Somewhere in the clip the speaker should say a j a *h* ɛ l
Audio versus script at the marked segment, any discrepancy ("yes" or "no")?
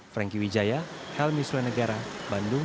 no